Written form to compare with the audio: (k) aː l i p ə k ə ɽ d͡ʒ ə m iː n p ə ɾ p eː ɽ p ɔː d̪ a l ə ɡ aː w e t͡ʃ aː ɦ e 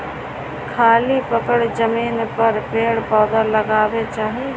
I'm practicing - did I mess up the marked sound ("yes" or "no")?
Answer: yes